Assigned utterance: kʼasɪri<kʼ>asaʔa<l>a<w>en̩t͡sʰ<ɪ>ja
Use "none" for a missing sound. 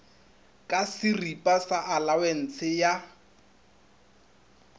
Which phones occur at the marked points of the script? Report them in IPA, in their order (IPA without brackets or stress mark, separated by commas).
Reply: pʼ, l, w, ɪ